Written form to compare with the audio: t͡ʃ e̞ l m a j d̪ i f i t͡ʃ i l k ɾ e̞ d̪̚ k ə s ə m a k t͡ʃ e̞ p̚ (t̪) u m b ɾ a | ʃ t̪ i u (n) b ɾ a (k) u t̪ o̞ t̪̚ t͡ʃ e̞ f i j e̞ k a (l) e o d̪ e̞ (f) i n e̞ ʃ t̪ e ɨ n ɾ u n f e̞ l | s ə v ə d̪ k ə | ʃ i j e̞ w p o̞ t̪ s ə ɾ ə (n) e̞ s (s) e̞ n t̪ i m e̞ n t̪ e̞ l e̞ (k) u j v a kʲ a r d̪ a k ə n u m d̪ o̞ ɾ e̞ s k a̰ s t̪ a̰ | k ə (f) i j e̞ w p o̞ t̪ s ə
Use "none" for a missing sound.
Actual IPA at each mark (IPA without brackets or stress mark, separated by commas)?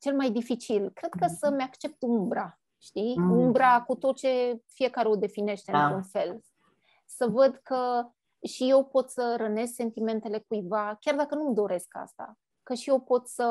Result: t̪, m, k, ɾ, f, n, s, k, ʃ